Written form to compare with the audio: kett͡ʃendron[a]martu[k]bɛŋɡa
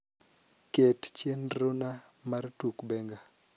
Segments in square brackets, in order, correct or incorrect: correct, correct

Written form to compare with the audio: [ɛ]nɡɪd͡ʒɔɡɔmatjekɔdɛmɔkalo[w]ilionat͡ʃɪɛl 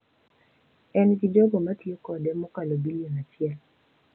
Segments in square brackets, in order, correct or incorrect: correct, incorrect: b

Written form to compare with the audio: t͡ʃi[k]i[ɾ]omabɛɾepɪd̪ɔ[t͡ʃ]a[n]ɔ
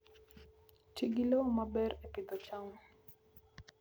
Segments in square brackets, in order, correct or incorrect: incorrect: ɡ, incorrect: l, correct, incorrect: ŋ

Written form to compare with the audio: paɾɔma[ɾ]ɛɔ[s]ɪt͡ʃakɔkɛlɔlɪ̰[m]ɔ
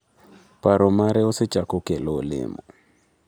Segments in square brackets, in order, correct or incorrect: correct, correct, correct

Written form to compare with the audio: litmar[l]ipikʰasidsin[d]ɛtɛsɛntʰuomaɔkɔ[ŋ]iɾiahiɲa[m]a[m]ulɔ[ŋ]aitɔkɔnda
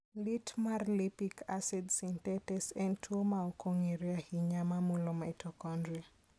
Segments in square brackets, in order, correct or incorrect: correct, incorrect: t, correct, correct, correct, incorrect: m

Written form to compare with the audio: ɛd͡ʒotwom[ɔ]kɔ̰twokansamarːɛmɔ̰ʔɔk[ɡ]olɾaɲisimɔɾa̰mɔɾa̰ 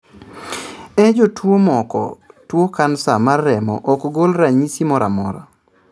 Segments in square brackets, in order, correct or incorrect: correct, correct

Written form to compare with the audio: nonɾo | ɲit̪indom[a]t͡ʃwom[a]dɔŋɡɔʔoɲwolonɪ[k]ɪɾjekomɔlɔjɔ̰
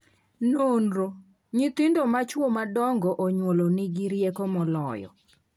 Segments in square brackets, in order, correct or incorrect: correct, correct, incorrect: ɡ

